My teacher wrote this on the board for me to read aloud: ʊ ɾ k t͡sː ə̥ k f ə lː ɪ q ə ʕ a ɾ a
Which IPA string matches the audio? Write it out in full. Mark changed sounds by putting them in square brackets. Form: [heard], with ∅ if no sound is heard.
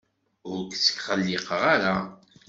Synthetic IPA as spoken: ʊ ɾ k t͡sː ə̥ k [χ] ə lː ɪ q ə [ʁ] a ɾ a